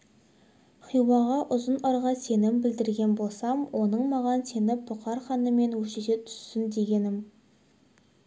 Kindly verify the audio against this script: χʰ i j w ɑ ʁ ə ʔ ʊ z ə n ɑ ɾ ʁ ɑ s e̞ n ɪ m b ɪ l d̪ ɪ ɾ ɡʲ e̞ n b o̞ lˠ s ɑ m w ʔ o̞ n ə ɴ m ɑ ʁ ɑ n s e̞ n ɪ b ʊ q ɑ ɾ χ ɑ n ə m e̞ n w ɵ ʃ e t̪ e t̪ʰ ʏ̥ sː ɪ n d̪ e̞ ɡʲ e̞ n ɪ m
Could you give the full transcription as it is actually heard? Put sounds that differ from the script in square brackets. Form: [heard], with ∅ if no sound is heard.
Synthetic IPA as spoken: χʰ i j w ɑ ʁ [ɑ] ʔ ʊ z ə n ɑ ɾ ʁ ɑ s e̞ n ɪ m b ɪ l d̪ ɪ ɾ ɡʲ e̞ n b o̞ lˠ s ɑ m w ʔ o̞ n ə ɴ m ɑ ʁ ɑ n s e̞ n ɪ b ʊ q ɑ ɾ χ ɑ n ə m e̞ n w ɵ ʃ e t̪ e t̪ʰ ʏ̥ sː ɪ n d̪ e̞ ɡʲ e̞ n ɪ m